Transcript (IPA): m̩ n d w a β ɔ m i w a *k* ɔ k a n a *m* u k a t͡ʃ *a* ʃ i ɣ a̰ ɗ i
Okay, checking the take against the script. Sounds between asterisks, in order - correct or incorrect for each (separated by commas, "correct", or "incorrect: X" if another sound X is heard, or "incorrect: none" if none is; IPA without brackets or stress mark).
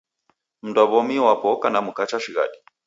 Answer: incorrect: p, correct, correct